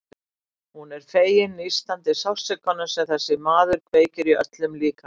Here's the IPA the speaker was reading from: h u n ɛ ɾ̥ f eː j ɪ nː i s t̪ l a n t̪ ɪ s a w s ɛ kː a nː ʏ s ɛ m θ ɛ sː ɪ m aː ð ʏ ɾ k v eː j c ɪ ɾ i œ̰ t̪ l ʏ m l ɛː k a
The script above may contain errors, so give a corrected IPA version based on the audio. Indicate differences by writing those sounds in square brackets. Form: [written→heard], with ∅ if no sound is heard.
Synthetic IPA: h u n ɛ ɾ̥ f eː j ɪ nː i s t̪ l a n t̪ ɪ s a w s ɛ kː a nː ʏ s ɛ m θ ɛ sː ɪ m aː ð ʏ ɾ k v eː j c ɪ ɾ i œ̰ t̪ l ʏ m l [ɛː→iː] k a